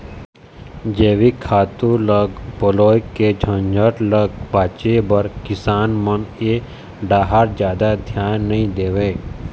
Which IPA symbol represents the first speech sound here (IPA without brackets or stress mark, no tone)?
d͡ʒ